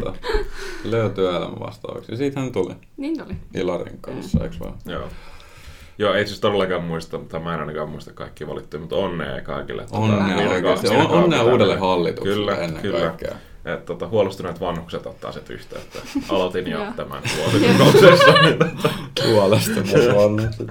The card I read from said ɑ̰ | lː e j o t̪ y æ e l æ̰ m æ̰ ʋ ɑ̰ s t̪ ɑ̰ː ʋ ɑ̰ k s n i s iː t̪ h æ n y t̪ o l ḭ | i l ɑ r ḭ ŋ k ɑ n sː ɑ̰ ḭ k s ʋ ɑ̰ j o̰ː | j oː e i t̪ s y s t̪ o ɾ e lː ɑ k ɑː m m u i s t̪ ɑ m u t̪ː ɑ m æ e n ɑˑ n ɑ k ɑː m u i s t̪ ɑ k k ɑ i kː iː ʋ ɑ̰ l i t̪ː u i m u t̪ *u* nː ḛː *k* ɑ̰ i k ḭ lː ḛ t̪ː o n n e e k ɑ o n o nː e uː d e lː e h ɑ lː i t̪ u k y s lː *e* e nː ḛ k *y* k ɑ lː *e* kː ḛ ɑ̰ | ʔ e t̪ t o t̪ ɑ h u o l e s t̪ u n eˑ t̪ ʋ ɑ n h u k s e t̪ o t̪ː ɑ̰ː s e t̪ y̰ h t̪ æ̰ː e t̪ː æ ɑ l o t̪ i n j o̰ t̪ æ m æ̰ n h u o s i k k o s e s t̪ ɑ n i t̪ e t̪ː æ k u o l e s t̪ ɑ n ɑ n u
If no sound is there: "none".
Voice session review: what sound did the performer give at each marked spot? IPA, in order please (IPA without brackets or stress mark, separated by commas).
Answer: o, k, æ, y, æ